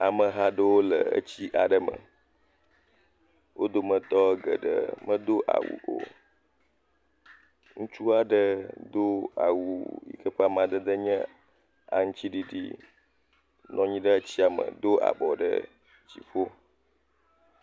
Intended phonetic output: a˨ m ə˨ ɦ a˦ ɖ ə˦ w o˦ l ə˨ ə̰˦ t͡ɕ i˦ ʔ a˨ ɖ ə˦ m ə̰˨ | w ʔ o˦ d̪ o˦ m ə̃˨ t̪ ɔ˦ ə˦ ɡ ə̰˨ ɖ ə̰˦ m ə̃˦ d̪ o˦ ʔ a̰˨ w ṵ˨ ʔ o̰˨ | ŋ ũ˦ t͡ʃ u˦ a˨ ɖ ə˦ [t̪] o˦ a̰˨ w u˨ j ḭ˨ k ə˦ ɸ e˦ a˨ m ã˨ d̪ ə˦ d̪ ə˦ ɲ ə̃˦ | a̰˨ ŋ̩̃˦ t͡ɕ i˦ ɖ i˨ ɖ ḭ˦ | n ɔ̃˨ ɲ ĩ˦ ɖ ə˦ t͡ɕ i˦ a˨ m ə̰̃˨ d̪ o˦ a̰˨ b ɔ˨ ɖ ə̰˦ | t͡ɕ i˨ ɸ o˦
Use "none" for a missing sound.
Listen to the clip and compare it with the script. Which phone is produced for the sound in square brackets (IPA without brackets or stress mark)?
d̪